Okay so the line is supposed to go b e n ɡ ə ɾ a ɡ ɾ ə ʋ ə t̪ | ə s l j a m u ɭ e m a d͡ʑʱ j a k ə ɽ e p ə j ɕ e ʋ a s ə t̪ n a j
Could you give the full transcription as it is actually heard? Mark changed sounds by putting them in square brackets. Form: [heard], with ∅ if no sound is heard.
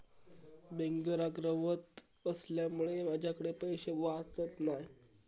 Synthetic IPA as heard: b e [ŋ] ɡ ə ɾ a ɡ ɾ ə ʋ ə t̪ | ə s l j a m u ɭ e m a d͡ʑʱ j a k ə ɽ e p ə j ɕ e ʋ a [t͡s] ə t̪ n a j